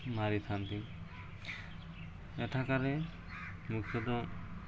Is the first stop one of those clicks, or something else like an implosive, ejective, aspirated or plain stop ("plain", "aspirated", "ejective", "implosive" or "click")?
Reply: aspirated